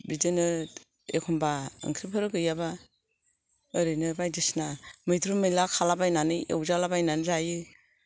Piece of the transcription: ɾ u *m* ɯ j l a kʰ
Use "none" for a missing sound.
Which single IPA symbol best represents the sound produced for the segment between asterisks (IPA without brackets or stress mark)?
m